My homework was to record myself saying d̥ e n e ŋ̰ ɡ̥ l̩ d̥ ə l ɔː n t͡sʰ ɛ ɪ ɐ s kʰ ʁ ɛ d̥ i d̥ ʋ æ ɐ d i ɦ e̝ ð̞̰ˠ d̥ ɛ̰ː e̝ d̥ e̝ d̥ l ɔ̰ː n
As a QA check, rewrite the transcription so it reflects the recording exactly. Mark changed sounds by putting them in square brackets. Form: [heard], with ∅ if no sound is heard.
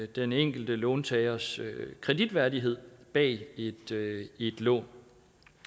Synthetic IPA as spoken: d̥ e n e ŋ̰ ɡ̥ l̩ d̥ ə l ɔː n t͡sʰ ɛ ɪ ɐ s kʰ ʁ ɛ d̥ i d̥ ʋ æ ɐ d i ɦ e̝ ð̞̰ˠ [b̥] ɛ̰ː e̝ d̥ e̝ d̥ l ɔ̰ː n